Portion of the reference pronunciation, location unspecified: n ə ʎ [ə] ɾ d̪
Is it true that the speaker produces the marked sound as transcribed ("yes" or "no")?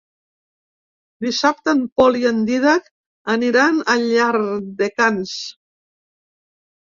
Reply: no